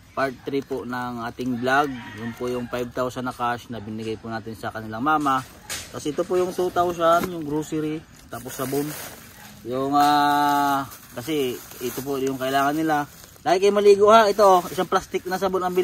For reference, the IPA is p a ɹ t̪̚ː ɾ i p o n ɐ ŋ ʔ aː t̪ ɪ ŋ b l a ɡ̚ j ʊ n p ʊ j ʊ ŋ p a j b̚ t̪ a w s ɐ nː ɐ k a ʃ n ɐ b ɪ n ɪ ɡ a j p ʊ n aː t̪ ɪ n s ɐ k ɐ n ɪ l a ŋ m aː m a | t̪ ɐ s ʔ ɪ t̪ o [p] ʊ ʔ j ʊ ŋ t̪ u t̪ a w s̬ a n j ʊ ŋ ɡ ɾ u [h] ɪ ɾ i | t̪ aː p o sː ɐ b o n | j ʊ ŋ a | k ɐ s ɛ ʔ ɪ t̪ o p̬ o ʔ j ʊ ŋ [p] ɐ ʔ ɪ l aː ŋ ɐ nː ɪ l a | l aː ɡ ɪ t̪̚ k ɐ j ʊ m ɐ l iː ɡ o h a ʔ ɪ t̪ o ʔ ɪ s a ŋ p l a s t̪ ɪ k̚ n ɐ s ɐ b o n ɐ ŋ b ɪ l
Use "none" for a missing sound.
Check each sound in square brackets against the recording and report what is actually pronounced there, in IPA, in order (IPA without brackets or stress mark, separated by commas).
p, s, k